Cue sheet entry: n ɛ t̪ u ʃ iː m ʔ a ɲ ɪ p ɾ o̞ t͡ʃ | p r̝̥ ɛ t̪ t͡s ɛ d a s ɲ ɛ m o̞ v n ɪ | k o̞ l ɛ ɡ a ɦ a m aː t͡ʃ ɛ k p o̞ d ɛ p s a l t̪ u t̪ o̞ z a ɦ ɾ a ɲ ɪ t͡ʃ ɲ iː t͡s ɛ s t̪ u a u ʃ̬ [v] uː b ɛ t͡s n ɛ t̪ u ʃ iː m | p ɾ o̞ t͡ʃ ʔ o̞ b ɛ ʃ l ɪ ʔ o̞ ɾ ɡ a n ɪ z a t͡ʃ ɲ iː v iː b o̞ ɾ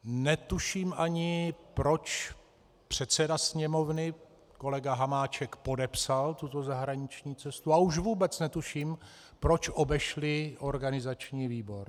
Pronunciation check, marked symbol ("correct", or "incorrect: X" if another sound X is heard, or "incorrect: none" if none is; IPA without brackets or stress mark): correct